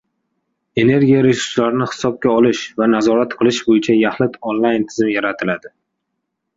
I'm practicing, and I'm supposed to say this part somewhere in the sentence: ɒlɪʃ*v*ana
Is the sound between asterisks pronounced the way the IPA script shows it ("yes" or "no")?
yes